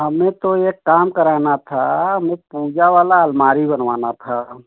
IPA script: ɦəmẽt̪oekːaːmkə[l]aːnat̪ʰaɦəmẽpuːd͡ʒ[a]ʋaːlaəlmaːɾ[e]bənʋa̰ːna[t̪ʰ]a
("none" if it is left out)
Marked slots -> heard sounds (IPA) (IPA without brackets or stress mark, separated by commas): ɾ, a, i, t̪ʰ